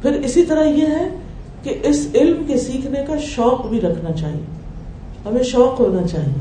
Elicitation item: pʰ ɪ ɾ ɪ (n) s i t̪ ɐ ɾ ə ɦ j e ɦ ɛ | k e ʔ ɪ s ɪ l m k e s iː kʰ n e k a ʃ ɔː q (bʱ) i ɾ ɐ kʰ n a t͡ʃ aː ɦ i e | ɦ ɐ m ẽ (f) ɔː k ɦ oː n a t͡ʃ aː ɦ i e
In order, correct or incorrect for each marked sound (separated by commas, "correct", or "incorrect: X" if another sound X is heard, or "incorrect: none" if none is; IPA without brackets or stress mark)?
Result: incorrect: none, correct, incorrect: ʃ